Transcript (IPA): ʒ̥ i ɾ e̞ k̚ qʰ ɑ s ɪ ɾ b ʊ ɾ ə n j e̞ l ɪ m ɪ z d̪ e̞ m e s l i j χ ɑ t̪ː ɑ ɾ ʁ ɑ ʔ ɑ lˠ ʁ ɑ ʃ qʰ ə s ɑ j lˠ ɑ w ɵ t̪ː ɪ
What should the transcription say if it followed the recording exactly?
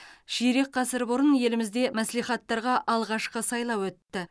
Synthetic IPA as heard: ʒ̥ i ɾ e̞ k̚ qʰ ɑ s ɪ ɾ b ʊ ɾ ə n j e̞ l ɪ m ɪ z d̪ e̞ m æ s l i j χ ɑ t̪ː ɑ ɾ ʁ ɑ ʔ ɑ lˠ ʁ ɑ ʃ q ə s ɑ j lˠ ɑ w ɵ t̪ː ɪ